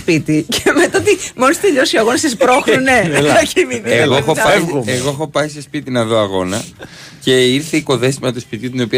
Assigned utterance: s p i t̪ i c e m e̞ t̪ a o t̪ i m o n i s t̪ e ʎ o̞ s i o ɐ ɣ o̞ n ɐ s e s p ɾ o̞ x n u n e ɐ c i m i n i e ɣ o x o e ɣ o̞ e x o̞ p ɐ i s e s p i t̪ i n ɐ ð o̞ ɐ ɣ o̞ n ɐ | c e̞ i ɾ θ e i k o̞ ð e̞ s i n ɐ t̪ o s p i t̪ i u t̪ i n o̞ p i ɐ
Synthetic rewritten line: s p i t̪ i c e m e̞ t̪ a o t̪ i m o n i s t̪ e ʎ o̞ s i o ɐ ɣ o̞ n ɐ s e s p ɾ o̞ x n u n e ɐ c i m i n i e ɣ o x o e ɣ o̞ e x o̞ p ɐ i s e s p i t̪ i n ɐ ð o̞ ɐ ɣ o̞ n ɐ | c e̞ i ɾ θ e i k o̞ ð e̞ s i m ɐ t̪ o s p i t̪ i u t̪ i n o̞ p i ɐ